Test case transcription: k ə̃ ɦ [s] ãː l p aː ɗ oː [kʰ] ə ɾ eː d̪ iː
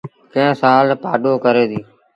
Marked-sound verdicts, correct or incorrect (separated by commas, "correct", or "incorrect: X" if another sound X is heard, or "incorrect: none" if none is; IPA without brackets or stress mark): correct, incorrect: k